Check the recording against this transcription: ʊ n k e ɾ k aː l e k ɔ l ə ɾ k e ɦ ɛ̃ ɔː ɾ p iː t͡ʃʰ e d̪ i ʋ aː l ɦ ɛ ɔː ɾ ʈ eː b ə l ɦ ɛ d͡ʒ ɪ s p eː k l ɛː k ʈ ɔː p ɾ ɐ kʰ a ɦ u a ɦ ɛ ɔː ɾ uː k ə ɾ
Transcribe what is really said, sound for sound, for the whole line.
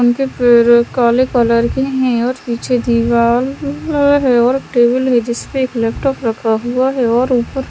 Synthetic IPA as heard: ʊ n k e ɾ k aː l e k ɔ l ə ɾ k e ɦ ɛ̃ ɔː ɾ p iː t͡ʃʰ e d̪ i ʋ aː l ɦ ɛ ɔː ɾ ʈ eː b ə l ɦ ɛ d͡ʒ ɪ s p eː k l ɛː p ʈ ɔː p ɾ ɐ kʰ a ɦ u a ɦ ɛ ɔː ɾ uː p ə ɾ